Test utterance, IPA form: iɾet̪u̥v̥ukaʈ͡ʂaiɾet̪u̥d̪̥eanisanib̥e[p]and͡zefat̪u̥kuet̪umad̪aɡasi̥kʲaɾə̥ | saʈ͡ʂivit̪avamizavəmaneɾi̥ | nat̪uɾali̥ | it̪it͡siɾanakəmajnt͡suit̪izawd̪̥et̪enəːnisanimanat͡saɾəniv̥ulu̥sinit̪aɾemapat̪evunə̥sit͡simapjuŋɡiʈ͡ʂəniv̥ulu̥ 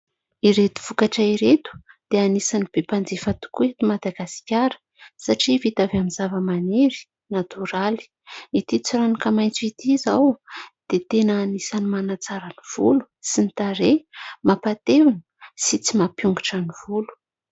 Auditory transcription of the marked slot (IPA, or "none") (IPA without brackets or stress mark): p